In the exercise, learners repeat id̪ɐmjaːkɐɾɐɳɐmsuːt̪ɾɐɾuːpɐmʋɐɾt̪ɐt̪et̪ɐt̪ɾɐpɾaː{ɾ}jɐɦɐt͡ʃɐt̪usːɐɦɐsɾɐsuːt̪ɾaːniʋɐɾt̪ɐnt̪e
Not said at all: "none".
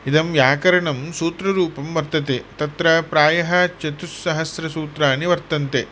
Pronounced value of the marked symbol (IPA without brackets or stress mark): none